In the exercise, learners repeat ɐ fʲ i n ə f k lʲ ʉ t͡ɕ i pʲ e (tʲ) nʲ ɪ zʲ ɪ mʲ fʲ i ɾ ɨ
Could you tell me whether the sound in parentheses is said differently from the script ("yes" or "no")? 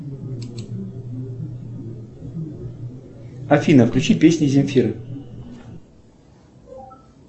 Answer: yes